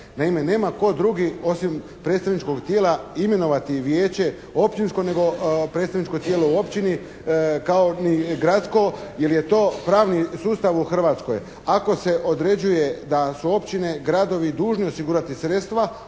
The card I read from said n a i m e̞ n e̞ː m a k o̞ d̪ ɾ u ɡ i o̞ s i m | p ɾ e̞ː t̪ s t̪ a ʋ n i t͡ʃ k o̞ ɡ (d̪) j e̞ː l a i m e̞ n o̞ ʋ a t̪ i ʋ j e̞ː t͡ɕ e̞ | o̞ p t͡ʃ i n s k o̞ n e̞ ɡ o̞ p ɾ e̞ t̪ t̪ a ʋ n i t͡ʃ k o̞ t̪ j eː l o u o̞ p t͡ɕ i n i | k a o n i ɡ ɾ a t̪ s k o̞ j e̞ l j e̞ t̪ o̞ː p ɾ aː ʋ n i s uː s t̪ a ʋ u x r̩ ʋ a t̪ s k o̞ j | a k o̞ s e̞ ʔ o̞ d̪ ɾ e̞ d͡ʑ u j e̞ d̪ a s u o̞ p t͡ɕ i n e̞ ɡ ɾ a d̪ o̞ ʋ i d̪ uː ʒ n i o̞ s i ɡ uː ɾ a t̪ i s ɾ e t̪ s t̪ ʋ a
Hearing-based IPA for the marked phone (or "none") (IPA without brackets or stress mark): t̪